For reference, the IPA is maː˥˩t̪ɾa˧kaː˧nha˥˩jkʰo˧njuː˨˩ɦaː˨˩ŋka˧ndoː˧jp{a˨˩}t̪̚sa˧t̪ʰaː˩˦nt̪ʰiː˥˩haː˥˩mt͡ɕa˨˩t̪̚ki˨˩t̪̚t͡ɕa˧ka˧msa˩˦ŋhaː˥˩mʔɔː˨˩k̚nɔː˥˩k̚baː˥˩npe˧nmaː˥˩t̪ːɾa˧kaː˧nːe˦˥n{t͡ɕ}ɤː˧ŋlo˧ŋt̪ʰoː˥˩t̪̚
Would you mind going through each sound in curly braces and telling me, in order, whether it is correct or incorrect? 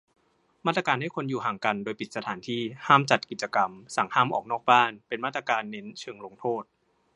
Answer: incorrect, incorrect

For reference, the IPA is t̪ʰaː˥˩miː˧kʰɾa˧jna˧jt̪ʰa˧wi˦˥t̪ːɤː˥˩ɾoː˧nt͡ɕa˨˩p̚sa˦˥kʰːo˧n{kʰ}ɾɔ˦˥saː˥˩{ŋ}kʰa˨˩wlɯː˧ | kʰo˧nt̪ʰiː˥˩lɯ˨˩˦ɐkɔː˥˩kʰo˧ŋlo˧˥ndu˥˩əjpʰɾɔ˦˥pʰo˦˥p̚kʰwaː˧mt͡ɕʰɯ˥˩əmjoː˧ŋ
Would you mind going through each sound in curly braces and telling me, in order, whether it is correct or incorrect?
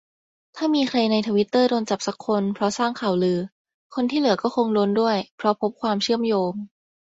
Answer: incorrect, correct

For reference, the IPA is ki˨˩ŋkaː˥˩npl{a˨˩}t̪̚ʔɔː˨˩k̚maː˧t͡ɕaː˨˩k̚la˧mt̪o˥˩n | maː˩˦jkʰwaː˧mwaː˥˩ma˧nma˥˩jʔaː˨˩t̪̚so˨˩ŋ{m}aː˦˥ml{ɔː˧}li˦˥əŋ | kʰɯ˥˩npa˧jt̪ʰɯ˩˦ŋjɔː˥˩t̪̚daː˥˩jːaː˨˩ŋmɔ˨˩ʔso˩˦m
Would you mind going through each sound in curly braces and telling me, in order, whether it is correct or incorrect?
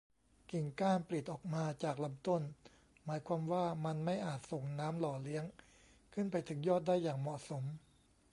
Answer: incorrect, incorrect, incorrect

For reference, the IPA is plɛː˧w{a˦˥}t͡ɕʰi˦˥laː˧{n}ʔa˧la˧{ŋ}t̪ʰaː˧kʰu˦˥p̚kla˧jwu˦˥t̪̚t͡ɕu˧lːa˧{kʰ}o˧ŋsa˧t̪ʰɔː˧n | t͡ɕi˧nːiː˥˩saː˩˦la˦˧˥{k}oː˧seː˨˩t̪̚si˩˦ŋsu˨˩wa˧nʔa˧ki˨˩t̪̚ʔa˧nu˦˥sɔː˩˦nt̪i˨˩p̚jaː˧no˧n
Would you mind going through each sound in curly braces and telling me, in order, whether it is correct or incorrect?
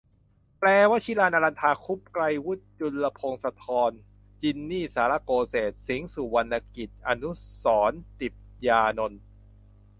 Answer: correct, correct, incorrect, incorrect, correct

